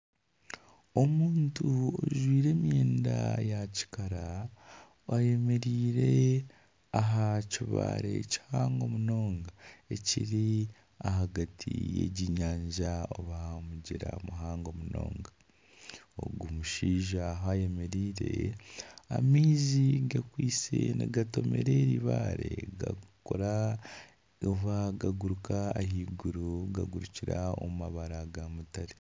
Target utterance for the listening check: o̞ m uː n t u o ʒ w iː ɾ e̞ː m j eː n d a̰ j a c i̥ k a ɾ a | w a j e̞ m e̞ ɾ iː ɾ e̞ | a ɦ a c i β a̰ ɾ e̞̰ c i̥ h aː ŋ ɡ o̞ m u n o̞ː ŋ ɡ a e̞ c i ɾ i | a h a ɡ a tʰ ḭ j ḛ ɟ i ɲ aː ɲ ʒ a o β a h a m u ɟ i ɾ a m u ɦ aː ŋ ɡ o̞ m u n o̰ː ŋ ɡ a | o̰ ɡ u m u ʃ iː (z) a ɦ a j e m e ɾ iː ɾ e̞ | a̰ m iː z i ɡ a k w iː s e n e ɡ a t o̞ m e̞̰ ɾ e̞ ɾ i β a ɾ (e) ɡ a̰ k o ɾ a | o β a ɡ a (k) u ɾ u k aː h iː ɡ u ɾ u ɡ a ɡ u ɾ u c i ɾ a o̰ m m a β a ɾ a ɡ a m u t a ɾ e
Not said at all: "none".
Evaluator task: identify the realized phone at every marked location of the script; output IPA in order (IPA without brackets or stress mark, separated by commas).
ʒ, e, ɡ